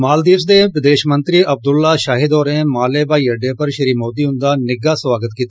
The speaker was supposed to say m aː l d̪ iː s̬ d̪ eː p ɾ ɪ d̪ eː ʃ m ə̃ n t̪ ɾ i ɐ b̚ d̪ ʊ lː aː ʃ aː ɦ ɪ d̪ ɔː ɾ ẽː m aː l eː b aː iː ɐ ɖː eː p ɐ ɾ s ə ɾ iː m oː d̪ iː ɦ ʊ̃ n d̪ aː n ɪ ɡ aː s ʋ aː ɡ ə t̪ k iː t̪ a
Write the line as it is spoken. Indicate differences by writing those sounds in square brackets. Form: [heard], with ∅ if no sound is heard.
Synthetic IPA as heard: m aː l d̪ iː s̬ d̪ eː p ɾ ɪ d̪ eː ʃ m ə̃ n t̪ ɾ i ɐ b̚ d̪ ʊ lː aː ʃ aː ɦ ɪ d̪ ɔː ɾ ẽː m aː l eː b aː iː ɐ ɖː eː p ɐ ɾ [ʃ] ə ɾ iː m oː d̪ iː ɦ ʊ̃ n d̪ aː n ɪ ɡ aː s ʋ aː ɡ ə t̪ k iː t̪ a